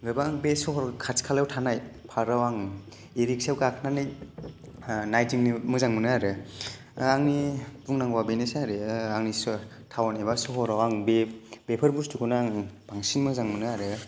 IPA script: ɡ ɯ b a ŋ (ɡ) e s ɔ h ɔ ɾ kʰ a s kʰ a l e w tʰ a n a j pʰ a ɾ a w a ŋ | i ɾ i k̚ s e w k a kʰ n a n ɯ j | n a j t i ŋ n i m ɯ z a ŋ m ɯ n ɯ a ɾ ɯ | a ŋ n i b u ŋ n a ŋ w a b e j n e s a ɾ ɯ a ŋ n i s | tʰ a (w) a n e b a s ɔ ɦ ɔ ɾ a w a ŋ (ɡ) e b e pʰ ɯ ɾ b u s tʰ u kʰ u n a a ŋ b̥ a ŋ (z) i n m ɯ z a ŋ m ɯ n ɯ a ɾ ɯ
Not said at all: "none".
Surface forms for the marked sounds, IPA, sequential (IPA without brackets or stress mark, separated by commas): b, w, b, s